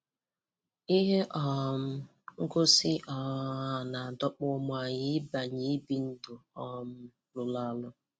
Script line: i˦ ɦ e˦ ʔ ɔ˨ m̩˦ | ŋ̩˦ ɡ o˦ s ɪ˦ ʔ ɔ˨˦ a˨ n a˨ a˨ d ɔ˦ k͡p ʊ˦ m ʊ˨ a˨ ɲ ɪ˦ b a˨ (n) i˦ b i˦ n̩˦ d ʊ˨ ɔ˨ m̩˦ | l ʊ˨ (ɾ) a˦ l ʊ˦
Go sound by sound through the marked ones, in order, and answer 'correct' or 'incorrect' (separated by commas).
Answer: incorrect, incorrect